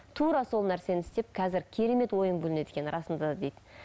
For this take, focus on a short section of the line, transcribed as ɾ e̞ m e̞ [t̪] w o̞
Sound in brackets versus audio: correct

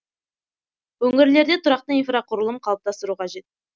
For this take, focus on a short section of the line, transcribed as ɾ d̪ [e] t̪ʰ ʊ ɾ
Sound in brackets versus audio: correct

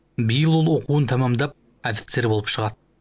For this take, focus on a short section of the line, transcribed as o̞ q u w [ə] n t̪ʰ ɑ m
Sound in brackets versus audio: correct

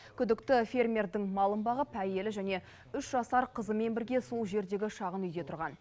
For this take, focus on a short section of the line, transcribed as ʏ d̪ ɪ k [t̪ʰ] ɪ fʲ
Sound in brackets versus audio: incorrect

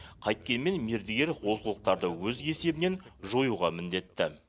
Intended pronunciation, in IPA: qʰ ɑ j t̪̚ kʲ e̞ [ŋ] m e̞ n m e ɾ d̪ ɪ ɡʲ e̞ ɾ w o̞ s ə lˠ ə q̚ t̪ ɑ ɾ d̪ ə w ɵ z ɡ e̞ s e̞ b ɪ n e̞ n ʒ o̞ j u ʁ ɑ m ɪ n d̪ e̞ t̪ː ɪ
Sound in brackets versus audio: incorrect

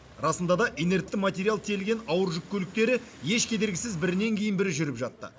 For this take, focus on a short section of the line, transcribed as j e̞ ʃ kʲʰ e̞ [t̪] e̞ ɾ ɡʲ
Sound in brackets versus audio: incorrect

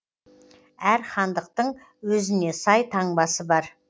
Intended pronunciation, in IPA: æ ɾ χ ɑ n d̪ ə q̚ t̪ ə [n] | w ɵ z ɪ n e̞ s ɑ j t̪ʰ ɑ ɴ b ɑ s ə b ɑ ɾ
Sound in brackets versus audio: incorrect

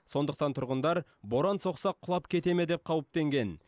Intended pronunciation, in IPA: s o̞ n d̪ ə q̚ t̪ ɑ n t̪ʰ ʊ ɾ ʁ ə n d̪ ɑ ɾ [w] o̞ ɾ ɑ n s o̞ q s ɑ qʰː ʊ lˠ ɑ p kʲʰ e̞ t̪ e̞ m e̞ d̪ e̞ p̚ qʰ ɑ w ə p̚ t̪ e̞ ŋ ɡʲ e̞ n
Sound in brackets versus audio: incorrect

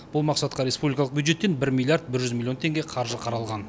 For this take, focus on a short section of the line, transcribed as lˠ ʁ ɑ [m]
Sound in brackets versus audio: incorrect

